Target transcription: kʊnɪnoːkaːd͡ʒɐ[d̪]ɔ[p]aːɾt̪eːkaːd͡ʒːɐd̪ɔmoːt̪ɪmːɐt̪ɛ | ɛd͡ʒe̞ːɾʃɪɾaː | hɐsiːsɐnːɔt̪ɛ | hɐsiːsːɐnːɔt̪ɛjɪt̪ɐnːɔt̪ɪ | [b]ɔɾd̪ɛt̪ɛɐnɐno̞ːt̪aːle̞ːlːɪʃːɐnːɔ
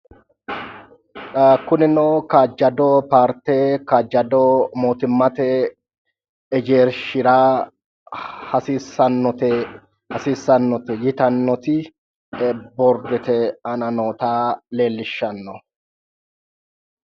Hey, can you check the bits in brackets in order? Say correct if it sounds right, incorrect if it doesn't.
correct, correct, correct

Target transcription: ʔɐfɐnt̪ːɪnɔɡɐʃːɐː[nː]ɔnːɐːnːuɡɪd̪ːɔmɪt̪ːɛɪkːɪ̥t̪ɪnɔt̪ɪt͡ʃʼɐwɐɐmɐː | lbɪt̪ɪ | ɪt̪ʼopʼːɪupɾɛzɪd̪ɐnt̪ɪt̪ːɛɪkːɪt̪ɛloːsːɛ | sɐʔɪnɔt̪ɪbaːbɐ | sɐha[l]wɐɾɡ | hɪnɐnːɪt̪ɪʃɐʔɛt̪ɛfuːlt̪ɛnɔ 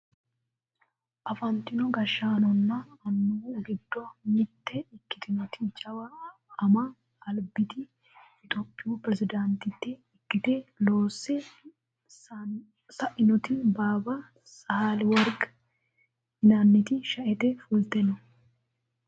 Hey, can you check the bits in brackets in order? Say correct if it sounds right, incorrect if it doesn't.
incorrect: n, correct

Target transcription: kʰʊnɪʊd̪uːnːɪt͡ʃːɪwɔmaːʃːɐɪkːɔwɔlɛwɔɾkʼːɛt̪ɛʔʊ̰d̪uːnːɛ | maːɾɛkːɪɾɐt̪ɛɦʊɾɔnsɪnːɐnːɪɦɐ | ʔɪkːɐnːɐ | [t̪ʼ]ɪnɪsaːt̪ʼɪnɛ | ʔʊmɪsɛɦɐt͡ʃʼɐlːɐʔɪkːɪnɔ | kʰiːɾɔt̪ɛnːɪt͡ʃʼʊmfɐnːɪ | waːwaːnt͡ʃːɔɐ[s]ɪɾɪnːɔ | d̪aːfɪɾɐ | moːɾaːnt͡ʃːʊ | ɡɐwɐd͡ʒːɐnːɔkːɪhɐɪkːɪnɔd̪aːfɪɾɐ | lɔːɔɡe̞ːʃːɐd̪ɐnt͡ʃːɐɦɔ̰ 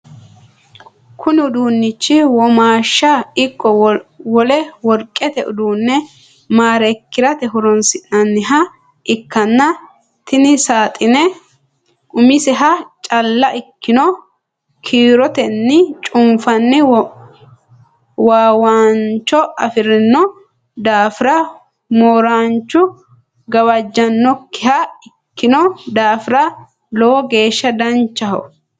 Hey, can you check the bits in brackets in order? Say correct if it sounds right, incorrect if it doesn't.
incorrect: t̪, incorrect: f

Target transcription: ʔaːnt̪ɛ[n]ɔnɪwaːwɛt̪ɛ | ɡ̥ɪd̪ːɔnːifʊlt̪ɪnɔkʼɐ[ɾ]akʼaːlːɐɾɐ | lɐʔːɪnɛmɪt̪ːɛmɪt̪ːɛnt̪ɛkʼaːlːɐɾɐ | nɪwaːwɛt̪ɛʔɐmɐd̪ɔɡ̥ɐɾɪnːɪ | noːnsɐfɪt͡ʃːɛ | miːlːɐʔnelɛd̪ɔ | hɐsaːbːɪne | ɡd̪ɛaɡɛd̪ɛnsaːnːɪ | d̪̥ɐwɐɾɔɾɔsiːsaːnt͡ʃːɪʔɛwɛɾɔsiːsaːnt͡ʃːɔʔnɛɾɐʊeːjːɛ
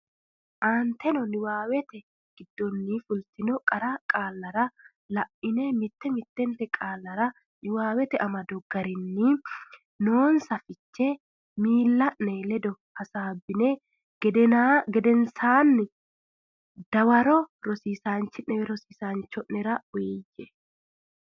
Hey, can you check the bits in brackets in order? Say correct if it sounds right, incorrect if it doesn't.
correct, correct

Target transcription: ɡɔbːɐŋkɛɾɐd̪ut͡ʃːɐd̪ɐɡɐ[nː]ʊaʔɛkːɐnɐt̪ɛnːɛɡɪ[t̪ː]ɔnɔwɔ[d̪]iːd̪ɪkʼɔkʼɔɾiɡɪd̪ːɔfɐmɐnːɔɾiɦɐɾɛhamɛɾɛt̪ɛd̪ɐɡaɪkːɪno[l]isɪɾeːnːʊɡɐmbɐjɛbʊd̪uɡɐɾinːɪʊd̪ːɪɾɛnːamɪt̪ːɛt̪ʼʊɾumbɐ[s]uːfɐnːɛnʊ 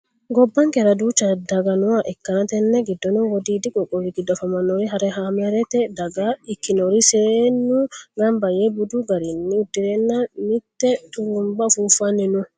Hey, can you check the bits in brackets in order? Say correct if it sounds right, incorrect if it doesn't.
incorrect: n, incorrect: d̪ː, correct, incorrect: ɾ, incorrect: f

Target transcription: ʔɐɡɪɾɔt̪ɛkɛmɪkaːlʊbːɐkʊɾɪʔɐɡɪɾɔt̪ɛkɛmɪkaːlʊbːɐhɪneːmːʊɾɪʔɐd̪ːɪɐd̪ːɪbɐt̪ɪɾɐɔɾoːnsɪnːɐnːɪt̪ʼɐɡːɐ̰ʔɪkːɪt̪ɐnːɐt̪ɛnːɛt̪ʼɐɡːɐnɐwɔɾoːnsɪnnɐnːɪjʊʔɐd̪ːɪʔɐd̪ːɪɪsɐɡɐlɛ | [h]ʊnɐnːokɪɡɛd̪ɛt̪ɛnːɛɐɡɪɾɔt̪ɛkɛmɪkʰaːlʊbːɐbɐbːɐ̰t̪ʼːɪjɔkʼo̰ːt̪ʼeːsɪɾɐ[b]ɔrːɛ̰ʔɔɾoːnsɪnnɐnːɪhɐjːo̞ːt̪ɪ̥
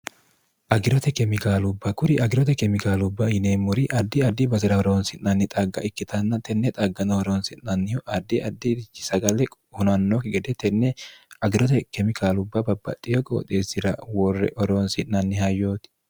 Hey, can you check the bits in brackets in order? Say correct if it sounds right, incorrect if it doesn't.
correct, incorrect: w

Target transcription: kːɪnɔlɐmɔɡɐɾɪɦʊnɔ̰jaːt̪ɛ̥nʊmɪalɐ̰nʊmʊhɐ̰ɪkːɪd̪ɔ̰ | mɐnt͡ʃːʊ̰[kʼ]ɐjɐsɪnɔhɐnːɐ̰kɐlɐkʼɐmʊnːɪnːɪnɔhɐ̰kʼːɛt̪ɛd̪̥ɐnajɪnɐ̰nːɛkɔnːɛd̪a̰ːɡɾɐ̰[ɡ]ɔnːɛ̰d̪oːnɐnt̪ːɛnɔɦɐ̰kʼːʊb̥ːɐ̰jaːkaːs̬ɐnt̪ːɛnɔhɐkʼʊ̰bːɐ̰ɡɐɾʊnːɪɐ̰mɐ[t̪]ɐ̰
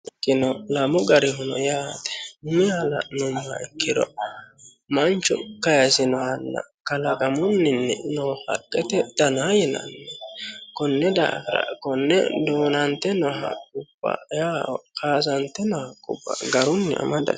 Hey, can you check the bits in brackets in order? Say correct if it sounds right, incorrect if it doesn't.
incorrect: k, incorrect: k, incorrect: d̪

